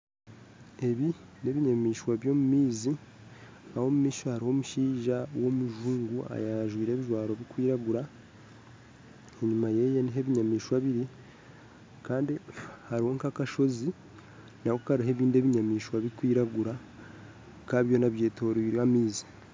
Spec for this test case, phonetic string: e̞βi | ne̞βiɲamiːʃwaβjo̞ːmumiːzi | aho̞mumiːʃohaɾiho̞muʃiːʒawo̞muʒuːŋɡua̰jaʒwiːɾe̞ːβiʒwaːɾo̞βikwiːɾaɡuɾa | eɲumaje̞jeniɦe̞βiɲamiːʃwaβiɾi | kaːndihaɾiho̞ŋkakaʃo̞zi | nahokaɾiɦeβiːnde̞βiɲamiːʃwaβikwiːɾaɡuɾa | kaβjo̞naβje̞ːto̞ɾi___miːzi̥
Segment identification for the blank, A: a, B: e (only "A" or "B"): A